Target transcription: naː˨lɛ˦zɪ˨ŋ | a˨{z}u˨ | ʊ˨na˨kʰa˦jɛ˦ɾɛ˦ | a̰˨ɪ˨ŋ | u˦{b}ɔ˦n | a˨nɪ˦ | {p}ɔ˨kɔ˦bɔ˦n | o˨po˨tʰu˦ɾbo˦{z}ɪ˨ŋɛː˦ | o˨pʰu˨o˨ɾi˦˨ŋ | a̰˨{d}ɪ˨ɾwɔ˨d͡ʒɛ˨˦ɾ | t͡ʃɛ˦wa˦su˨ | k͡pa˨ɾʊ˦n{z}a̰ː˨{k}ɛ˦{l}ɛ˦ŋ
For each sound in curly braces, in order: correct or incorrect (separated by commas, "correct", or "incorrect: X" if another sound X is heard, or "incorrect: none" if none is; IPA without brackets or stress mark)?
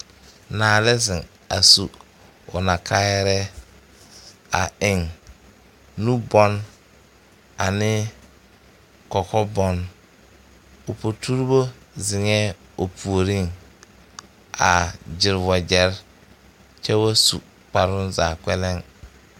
incorrect: s, correct, incorrect: k, correct, incorrect: d͡ʒ, correct, correct, correct